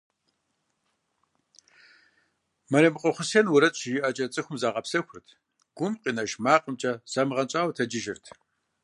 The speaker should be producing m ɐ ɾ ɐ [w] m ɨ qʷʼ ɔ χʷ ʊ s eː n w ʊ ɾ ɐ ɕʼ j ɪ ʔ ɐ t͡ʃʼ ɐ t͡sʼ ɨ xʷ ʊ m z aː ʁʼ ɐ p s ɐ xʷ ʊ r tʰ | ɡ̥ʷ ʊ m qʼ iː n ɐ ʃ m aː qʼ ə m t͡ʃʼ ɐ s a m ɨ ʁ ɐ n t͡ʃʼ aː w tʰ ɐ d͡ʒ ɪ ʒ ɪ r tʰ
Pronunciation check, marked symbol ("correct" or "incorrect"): incorrect